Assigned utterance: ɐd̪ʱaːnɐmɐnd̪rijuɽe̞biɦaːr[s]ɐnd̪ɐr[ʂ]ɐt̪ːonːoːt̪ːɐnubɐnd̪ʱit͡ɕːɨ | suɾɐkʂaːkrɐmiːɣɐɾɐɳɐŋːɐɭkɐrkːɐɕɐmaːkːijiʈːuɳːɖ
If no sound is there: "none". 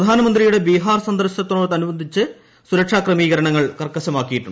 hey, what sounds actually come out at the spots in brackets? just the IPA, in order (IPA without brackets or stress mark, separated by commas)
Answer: s, ɕ